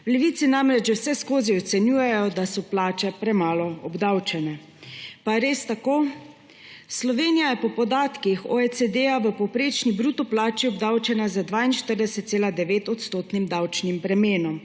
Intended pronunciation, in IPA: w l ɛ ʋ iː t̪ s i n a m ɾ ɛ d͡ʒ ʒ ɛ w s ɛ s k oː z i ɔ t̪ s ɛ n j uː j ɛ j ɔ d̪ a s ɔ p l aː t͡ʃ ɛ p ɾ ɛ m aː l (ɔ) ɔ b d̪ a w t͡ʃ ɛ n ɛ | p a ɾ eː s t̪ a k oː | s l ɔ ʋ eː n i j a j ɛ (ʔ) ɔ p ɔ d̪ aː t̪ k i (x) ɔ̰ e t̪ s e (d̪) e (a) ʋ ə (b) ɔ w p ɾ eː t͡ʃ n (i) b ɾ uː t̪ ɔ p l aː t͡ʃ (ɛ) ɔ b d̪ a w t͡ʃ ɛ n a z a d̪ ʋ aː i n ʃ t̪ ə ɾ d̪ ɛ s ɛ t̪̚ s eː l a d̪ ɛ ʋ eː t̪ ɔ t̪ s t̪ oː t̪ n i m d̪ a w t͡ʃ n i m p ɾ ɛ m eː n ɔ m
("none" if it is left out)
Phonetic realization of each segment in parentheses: ɔ, p, x, d̪, a, p, i, i

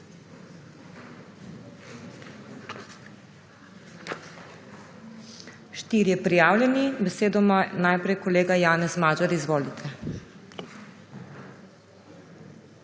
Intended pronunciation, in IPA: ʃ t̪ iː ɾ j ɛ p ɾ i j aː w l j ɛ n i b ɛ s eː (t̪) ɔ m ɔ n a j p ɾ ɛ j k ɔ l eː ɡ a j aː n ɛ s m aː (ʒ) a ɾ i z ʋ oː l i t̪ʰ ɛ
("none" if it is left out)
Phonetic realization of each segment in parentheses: d̪, d͡ʒ

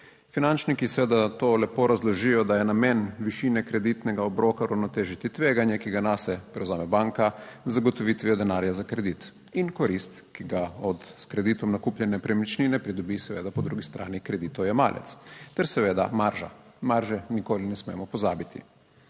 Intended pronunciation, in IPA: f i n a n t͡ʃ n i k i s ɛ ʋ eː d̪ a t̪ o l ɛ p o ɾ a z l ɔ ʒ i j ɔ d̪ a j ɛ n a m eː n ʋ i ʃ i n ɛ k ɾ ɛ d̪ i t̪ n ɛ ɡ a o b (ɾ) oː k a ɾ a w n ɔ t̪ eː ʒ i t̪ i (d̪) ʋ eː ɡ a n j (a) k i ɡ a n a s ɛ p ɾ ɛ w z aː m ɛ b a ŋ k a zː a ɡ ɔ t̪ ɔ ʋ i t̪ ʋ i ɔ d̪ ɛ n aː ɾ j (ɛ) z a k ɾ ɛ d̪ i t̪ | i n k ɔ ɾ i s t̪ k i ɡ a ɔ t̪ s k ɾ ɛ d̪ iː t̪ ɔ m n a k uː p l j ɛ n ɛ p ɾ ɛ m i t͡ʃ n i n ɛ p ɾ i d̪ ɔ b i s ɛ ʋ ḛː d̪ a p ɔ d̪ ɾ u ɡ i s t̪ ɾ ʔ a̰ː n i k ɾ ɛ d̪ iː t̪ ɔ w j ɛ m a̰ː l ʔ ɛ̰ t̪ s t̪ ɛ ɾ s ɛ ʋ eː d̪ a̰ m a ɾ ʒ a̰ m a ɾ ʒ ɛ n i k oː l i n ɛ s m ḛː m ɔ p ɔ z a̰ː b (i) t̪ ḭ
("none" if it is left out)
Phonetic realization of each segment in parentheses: ɾ, t̪, ɛ, a, i

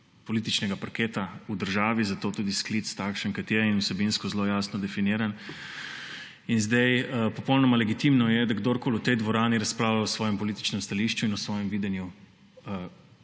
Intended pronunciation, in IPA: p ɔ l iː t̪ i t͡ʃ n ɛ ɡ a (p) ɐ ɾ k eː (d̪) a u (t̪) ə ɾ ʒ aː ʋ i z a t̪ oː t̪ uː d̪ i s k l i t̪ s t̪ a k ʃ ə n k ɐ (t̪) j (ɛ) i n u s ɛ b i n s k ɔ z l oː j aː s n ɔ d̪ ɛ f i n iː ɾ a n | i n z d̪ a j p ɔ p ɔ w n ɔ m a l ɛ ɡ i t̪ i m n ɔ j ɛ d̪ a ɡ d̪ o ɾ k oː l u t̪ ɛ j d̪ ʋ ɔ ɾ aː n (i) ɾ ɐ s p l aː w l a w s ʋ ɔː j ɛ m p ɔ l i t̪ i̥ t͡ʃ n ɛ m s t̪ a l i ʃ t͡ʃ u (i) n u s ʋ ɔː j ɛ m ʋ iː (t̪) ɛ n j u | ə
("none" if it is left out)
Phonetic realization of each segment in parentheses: p, t̪, d̪, t̪, ɛ, i, i, d̪

